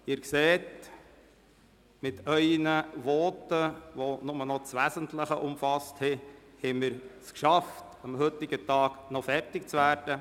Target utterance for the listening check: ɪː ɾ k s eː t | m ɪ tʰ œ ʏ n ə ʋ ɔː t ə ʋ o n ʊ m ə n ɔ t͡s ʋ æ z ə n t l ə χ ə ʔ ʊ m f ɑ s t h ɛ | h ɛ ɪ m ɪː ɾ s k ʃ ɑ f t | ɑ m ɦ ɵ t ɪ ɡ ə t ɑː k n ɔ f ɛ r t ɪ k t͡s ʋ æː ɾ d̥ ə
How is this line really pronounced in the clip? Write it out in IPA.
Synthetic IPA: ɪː ɾ k s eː t | m ɪ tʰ œ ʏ n ə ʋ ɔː t ə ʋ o n ʊ m ə n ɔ t͡s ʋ æ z ə n t l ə χ ə ʔ ʊ m f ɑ s t h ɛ | h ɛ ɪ m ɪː ɾ s k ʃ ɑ f t | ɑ m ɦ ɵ t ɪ ɡ ə t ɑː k n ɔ f ɛ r t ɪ k t͡s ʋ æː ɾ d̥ ə